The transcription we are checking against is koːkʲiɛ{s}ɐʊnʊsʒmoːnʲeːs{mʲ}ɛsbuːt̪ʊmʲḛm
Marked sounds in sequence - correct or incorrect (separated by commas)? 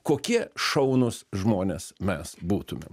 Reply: incorrect, correct